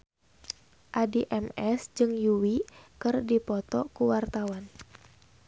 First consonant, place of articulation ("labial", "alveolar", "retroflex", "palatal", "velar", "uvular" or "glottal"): glottal